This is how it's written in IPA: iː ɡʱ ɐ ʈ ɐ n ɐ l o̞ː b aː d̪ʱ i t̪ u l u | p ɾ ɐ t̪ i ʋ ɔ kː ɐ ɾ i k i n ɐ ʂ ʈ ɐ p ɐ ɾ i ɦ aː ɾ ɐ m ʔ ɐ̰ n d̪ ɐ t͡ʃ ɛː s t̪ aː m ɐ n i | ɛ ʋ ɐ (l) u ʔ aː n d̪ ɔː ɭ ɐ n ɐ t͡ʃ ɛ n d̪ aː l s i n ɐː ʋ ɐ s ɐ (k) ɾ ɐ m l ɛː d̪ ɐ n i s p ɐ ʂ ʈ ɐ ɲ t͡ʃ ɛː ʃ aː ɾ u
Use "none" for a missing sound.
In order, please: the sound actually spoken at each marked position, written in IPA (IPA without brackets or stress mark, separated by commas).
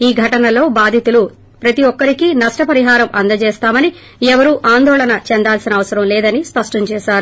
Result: ɾ, none